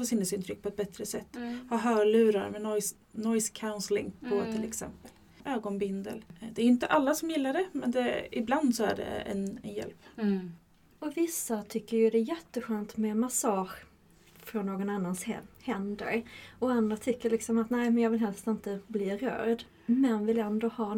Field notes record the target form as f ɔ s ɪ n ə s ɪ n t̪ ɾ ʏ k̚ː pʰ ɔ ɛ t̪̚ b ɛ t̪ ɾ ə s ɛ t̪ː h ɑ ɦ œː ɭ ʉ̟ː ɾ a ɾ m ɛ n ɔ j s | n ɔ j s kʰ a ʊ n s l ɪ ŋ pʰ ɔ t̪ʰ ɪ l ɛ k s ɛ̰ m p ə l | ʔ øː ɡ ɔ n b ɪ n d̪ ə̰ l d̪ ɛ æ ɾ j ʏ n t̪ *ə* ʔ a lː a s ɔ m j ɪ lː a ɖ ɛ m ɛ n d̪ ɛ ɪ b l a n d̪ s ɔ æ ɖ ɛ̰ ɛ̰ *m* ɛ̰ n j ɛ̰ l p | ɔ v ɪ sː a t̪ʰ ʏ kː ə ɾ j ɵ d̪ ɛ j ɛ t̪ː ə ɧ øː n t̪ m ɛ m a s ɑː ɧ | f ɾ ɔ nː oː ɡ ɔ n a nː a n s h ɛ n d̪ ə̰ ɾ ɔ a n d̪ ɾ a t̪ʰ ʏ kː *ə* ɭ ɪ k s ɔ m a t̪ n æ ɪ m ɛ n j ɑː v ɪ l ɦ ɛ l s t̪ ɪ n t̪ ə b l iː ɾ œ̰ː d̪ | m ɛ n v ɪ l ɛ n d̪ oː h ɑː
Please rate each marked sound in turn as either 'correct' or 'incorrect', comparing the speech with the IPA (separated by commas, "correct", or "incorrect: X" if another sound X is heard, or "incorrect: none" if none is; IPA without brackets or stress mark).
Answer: correct, incorrect: n, correct